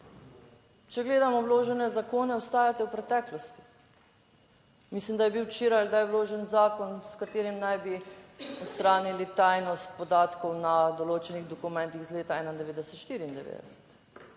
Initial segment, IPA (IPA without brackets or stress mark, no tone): t͡ʃ